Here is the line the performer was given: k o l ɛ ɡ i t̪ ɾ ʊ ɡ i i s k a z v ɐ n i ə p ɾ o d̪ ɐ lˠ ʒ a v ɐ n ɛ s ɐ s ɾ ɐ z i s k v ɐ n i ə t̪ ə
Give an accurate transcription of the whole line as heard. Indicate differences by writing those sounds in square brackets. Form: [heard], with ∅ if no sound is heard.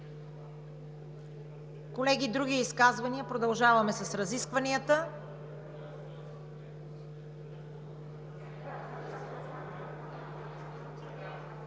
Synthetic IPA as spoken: k o l ɛ ɡ i [d̪] ɾ [u] ɡ i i s k a z v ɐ n i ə p ɾ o d̪ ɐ lˠ ʒ a v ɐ [m] ɛ s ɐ s ɾ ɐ z i s k v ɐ n i ə t̪ ə